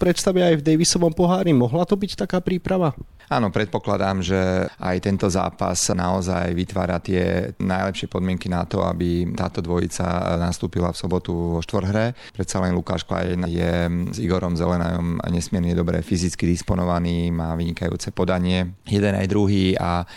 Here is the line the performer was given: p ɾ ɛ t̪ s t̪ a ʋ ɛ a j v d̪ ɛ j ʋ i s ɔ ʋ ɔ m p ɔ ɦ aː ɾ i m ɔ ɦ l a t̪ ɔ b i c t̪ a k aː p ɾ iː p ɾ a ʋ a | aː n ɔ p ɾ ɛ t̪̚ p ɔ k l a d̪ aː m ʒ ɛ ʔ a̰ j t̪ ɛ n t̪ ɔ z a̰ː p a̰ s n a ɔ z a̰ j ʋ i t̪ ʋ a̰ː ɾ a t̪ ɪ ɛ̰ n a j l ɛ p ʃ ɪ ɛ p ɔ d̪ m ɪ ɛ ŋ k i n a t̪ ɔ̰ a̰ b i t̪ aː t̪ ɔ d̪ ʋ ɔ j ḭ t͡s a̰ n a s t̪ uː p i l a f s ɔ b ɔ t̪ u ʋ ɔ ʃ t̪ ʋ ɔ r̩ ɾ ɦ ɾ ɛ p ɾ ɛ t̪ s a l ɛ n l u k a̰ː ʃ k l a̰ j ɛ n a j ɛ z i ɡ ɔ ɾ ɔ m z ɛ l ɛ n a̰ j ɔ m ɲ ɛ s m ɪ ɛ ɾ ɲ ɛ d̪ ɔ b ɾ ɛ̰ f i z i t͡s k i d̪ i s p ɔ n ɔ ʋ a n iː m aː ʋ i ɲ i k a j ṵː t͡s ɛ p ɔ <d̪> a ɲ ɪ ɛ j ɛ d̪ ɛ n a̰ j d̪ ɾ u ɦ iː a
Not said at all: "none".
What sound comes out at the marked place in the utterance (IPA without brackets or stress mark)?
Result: d̪